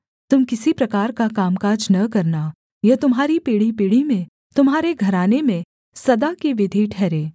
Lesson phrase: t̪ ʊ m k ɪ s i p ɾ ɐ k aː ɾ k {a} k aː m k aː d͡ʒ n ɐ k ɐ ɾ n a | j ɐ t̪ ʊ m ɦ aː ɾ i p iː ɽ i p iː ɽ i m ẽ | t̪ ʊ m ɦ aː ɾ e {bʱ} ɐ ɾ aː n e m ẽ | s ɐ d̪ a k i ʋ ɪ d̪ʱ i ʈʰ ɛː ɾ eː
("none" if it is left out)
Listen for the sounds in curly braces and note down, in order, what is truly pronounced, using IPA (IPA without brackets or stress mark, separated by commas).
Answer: a, ɡʱ